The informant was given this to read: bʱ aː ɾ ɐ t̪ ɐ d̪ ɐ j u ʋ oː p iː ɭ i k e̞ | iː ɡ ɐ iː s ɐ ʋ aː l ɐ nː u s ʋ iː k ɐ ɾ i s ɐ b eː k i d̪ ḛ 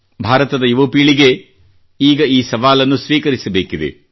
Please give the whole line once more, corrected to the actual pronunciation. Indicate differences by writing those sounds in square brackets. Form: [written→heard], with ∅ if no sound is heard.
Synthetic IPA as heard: bʱ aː ɾ ɐ t̪ ɐ d̪ ɐ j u ʋ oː p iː ɭ i [k→ɡ] e̞ | iː ɡ ɐ iː s ɐ ʋ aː l ɐ nː u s ʋ iː k ɐ ɾ i s ɐ b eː k i d̪ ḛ